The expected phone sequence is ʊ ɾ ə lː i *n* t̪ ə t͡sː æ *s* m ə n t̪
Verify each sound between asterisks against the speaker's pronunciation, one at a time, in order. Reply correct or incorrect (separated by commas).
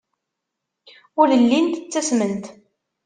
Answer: correct, correct